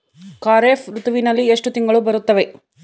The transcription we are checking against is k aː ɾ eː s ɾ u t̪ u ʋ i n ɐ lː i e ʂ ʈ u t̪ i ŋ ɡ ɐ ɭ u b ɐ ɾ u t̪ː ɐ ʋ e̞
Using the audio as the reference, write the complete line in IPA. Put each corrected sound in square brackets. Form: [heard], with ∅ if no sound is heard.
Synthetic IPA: k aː ɾ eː [f] ɾ u t̪ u ʋ i n ɐ lː i e ʂ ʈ u t̪ i ŋ ɡ ɐ ɭ u b ɐ ɾ u t̪ː ɐ ʋ e̞